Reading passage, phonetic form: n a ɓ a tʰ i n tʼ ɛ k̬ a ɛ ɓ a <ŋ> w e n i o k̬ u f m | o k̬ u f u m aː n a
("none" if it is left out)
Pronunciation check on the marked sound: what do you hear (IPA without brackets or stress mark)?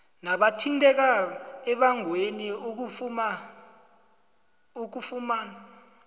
ŋ